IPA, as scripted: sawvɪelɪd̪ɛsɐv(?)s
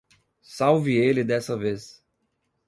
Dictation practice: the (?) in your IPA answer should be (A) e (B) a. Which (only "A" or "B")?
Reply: A